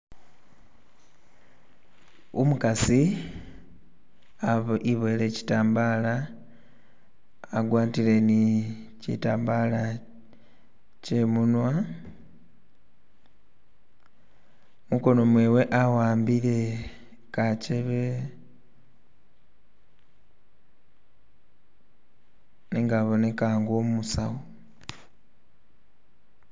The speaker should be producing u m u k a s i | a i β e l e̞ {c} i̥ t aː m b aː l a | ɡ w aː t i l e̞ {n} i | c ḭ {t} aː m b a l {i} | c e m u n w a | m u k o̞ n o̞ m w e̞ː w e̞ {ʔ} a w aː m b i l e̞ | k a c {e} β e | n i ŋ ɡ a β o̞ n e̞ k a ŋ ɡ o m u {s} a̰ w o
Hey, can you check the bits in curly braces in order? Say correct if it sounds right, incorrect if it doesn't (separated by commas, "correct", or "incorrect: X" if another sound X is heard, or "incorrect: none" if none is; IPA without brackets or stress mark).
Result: correct, correct, correct, incorrect: a, correct, correct, correct